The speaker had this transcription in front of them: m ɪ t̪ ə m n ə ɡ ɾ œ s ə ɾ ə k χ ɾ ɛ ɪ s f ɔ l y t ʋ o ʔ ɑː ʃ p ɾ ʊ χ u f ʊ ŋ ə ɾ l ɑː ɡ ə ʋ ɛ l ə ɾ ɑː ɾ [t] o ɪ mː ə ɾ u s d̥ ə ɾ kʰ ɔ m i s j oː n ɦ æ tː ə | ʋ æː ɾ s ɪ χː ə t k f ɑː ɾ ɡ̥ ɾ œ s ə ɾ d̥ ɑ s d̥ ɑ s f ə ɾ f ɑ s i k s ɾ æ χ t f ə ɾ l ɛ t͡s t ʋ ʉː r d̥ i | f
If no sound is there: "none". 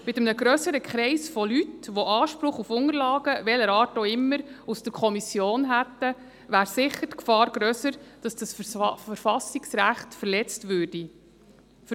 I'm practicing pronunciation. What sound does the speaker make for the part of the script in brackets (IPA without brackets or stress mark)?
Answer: t